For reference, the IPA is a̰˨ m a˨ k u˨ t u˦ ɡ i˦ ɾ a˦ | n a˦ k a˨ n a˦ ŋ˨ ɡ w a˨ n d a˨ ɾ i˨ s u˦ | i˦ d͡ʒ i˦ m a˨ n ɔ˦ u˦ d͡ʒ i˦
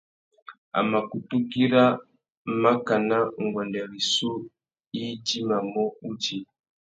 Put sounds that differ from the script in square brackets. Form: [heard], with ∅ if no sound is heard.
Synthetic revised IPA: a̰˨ m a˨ k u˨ t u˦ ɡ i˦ ɾ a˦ | [m] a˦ k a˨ n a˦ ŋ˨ ɡ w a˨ n d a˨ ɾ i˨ s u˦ | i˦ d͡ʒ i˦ m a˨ [m] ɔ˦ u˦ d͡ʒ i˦